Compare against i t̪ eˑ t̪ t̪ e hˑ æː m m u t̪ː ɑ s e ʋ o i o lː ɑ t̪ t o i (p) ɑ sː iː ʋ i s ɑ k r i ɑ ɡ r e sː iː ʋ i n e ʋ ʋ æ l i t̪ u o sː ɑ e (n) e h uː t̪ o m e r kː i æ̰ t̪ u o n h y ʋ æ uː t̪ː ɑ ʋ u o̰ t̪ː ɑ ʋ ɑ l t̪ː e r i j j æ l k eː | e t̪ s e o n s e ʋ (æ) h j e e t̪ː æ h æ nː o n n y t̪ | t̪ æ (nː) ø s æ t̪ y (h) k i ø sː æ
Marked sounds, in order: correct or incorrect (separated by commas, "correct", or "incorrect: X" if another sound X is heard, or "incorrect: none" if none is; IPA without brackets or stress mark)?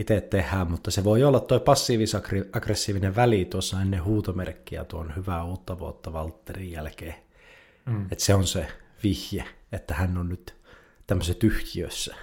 correct, incorrect: nː, incorrect: i, incorrect: mː, correct